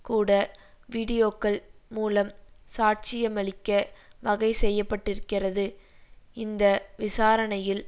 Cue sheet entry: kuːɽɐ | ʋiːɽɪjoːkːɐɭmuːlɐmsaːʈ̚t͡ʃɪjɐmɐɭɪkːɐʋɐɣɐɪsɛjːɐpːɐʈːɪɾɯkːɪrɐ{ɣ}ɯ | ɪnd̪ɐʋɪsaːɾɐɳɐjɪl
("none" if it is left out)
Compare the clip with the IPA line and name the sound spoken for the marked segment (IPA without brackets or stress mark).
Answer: ð